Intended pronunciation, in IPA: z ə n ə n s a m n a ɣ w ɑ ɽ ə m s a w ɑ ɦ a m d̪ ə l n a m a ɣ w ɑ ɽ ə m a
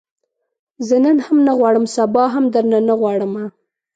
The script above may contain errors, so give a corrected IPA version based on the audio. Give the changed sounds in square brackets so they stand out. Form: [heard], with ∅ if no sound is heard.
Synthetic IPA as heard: z ə n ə n [h] a m n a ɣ w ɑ ɽ ə m s a [b] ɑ ɦ a m d̪ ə [ɾ] n a [n] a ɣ w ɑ ɽ ə m a